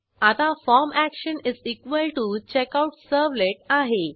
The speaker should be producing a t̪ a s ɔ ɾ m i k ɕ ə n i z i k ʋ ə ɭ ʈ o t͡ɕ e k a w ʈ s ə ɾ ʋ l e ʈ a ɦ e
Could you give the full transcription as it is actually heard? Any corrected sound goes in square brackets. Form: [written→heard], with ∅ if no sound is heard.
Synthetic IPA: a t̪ a [s→f] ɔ ɾ m [i→æ] k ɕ ə n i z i k ʋ ə [ɭ→l] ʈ [o→u] t͡ɕ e k a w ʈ s ə ɾ ʋ l e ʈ a ɦ e